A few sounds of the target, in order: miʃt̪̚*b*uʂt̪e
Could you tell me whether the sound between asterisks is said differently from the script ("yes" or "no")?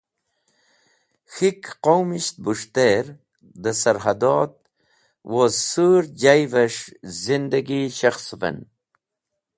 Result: no